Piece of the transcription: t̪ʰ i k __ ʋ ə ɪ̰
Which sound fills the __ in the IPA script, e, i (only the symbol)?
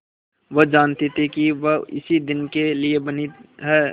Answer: i